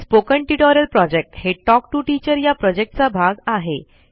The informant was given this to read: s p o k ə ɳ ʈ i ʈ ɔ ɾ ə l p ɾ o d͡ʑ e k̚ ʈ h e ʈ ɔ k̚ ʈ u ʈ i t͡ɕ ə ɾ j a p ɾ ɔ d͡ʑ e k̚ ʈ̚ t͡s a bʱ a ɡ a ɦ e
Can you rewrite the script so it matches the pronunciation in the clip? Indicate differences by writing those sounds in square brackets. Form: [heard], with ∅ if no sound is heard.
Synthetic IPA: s p o k ə ɳ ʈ i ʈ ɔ ɾ ə l p ɾ [ɔ] d͡ʑ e k̚ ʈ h e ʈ ɔ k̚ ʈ u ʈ i t͡ɕ ə ɾ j a p ɾ ɔ d͡ʑ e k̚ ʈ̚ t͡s a bʱ a ɡ a ɦ e